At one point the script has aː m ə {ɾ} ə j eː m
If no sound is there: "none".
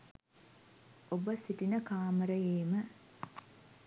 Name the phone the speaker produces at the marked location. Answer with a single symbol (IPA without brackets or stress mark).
ɾ